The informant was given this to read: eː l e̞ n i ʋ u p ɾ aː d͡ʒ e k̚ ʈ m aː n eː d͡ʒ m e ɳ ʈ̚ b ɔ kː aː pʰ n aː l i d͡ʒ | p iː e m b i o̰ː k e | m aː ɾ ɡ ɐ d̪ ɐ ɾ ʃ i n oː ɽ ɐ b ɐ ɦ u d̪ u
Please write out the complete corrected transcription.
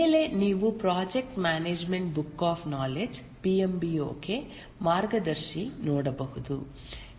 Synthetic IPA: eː l e̞ n iː ʋ u p ɾ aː d͡ʒ e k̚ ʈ m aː n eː d͡ʒ m e ɳ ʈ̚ b u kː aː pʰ n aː l e d͡ʒ | p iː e m b i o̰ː k e | m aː ɾ ɡ ɐ d̪ ɐ ɾ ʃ i n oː ɽ ɐ b ɐ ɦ u d̪ u